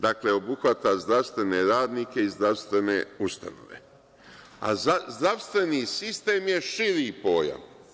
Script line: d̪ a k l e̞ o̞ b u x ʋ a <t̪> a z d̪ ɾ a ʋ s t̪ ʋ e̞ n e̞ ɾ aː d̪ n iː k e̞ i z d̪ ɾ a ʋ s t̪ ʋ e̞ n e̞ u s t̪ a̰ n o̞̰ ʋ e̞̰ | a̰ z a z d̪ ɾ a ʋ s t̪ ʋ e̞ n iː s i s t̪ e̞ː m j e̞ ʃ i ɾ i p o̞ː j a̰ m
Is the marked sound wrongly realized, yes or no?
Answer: no